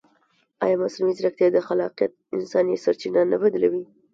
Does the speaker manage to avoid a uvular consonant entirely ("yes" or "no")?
no